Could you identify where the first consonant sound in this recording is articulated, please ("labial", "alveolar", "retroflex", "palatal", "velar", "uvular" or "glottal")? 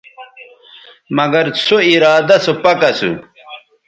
labial